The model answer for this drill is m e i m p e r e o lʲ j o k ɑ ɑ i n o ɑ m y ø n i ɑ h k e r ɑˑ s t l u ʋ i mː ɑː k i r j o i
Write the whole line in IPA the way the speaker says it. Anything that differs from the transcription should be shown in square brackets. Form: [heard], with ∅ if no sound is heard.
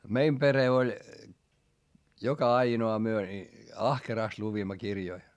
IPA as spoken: m e i m p e r e o lʲ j o k ɑ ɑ i n o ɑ m y ø n i ɑ h k e r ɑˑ s t l u ʋ i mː [ɑ] k i r j o i